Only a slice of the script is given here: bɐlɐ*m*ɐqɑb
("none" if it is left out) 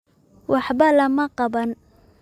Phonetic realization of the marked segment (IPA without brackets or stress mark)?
m